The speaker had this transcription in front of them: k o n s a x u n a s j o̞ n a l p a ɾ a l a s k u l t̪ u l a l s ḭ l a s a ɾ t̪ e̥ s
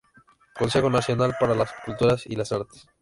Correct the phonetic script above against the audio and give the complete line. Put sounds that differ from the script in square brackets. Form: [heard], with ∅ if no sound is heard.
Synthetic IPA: k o n s [e] x [o] n a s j o̞ n a l p a ɾ a l a s k u l t̪ u [ɾ] a [∅] s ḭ l a s a ɾ t̪ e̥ s